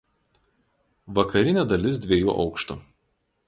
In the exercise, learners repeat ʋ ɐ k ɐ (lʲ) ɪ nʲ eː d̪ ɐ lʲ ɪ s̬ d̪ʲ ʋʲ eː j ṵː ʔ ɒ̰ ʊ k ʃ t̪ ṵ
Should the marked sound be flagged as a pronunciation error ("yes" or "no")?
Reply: yes